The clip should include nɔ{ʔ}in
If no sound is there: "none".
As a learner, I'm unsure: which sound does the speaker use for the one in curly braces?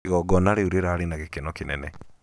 k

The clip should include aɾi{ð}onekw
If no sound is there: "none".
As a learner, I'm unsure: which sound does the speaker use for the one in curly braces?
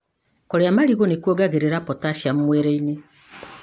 ɣ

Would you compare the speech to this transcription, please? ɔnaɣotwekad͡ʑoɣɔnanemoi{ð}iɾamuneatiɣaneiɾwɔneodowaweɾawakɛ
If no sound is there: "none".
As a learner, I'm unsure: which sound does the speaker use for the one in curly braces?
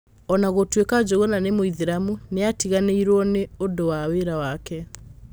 ð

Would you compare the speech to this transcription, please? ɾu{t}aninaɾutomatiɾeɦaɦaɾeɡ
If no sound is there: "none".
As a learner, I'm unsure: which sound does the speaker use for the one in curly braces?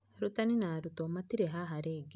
t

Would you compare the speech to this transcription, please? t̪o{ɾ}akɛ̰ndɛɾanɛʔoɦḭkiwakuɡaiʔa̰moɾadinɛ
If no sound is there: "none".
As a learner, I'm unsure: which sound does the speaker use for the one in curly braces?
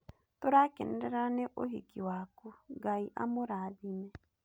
ɾ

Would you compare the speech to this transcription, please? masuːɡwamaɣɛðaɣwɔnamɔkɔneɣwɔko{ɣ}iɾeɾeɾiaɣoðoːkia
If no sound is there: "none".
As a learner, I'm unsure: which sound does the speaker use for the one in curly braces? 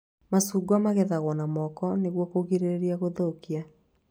ɣ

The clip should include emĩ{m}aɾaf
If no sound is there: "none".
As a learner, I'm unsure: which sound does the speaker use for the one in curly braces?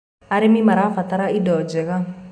m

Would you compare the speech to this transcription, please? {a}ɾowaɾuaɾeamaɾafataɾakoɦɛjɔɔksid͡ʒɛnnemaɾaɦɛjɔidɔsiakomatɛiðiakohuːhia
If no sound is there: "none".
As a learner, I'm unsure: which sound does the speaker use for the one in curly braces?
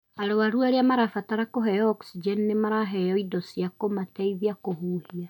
a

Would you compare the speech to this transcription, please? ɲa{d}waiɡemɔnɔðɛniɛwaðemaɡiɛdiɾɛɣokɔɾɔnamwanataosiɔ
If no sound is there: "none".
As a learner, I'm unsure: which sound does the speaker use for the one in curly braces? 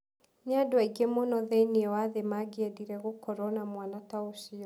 d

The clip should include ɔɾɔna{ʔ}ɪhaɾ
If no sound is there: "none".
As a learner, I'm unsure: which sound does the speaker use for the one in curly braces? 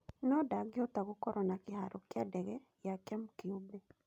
k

